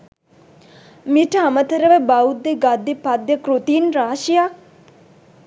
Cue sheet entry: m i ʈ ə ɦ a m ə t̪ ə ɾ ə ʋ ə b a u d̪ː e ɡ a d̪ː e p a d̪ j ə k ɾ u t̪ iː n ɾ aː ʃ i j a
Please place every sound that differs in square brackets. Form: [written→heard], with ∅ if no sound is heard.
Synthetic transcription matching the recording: m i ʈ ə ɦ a m ə t̪ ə ɾ ə ʋ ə b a u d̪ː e ɡ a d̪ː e p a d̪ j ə k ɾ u t̪ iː n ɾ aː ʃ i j a